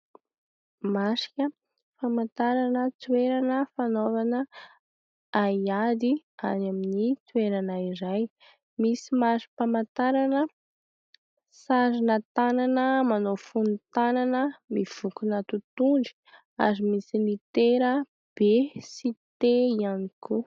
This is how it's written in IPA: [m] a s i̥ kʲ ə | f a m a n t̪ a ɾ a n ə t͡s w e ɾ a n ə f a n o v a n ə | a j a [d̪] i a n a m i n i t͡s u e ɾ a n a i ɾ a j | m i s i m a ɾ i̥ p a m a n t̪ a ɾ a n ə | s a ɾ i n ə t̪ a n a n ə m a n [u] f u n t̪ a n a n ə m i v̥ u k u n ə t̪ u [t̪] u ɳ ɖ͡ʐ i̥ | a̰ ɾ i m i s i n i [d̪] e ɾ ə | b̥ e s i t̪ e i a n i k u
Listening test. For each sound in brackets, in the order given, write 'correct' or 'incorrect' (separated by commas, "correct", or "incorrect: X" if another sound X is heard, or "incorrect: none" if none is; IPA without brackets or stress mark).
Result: correct, correct, incorrect: o, correct, incorrect: t̪